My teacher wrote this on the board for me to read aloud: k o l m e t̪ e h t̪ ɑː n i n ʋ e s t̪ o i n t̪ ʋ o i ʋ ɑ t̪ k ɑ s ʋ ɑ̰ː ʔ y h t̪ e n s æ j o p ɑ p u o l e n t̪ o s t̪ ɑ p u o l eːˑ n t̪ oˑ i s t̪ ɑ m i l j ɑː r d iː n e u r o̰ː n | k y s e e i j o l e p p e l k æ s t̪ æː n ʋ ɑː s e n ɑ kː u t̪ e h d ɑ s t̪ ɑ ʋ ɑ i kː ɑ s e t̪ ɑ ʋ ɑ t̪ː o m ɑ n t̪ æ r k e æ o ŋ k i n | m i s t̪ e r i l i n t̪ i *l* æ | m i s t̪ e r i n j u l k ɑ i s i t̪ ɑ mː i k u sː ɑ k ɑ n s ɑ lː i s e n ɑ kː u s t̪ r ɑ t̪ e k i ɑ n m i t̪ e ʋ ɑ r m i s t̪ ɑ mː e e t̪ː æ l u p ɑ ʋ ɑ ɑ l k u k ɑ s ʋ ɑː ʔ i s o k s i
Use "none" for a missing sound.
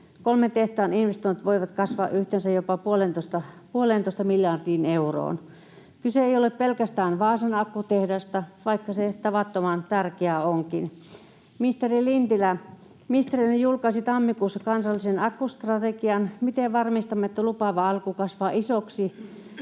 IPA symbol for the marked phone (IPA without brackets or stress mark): l